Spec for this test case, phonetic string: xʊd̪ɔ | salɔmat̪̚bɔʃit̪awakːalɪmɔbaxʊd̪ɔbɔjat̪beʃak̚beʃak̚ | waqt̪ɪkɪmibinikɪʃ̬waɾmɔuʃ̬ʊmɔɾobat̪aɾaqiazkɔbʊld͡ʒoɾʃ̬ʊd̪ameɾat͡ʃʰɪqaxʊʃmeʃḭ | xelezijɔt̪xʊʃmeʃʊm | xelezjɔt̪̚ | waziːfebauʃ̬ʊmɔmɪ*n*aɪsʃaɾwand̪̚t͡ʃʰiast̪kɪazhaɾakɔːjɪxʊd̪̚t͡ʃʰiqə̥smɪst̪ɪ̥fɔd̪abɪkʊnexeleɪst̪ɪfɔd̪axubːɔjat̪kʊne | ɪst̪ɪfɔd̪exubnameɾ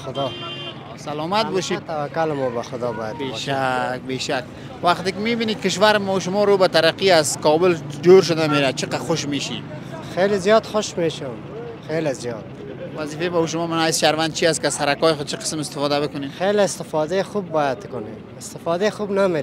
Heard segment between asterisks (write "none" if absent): n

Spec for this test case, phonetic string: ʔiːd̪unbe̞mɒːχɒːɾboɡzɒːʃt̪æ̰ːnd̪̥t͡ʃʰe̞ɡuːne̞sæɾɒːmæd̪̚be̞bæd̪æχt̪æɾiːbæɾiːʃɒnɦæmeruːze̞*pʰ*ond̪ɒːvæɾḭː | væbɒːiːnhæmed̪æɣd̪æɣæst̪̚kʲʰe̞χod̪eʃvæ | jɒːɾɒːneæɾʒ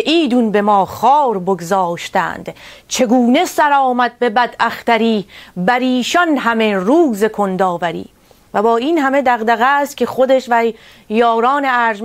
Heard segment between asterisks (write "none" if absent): kʰ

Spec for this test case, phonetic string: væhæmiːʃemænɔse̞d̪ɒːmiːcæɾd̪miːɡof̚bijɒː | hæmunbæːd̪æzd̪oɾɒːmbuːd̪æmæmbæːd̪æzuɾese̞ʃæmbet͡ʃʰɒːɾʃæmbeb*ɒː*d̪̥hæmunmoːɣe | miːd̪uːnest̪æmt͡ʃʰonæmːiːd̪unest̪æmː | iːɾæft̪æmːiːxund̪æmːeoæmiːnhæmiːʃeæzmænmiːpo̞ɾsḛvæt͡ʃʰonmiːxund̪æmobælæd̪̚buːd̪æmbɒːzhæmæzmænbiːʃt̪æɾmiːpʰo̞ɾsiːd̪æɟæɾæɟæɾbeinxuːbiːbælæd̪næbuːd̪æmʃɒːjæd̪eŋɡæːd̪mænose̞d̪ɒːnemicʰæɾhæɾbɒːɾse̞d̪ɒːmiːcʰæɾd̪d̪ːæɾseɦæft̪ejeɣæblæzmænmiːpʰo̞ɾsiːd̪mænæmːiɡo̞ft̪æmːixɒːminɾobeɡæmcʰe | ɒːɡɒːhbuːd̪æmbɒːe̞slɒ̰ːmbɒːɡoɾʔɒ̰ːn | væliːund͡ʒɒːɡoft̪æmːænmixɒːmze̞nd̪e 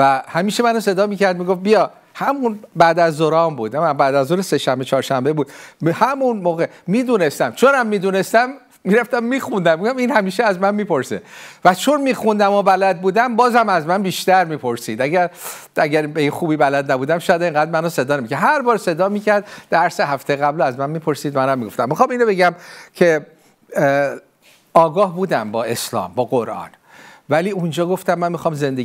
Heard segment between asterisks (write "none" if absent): uː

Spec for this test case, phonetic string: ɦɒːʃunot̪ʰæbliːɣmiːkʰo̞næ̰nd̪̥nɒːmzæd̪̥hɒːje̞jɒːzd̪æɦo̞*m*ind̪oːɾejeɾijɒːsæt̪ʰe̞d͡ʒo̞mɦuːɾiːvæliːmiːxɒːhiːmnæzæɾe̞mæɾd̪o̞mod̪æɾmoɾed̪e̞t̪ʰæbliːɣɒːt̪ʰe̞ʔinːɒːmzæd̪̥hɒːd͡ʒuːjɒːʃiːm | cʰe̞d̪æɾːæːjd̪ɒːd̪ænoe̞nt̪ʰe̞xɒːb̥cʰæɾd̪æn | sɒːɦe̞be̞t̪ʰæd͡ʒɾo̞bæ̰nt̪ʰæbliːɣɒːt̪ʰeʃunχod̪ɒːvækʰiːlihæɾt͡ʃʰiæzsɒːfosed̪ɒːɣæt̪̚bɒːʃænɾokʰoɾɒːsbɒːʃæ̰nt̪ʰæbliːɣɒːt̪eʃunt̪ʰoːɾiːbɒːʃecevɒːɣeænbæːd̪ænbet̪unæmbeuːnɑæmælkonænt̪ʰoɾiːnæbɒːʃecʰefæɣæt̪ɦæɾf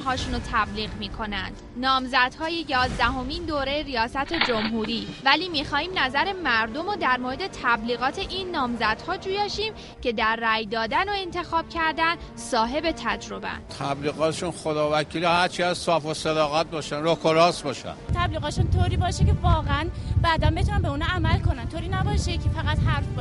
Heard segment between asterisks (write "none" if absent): m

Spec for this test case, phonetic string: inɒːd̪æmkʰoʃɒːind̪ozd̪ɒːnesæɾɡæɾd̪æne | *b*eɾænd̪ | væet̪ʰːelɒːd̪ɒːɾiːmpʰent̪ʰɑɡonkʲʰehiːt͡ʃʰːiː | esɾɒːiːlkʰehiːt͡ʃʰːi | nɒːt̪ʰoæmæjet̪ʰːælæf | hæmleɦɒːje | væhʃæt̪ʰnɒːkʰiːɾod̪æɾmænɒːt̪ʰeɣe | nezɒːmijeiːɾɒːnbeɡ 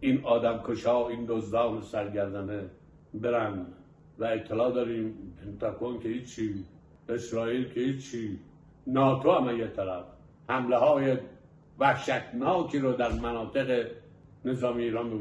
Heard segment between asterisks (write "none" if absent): b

